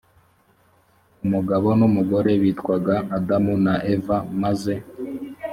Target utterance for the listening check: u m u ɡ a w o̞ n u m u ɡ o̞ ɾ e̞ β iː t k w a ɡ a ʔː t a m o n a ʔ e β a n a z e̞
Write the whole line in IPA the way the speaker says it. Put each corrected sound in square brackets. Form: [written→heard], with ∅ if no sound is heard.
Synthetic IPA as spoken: u m u ɡ a [w→β] o̞ n u m u ɡ o̞ ɾ e̞ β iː t k w a ɡ a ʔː [t→d] a m [o→u] n a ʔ e [β→v] a [n→m] a z e̞